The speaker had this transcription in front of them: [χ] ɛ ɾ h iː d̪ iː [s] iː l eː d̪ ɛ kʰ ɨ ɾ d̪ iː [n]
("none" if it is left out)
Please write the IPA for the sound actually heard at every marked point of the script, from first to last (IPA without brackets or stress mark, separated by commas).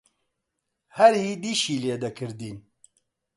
h, ʃ, n